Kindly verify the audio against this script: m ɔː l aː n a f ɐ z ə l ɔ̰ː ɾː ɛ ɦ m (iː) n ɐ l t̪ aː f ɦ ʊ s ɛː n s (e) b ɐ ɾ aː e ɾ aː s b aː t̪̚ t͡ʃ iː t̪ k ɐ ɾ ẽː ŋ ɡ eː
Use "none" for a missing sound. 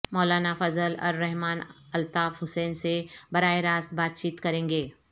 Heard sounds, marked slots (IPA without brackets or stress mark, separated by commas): aː, e